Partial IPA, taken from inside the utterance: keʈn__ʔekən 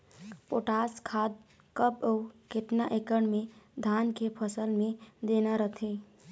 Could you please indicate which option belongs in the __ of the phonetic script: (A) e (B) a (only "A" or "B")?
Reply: B